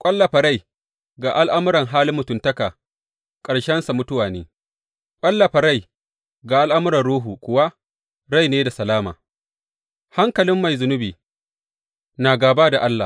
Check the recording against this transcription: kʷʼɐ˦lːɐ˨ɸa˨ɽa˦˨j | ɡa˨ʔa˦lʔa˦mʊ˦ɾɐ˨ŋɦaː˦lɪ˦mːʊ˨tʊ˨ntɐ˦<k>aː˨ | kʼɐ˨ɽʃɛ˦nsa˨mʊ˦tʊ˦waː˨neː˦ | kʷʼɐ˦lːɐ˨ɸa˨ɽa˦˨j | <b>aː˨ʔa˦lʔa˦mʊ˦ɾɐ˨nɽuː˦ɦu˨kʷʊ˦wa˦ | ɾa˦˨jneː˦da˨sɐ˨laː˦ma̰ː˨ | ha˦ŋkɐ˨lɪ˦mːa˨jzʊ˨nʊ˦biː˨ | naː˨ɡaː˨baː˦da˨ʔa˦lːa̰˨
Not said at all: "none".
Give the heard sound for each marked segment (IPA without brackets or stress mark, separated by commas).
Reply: k, ɡ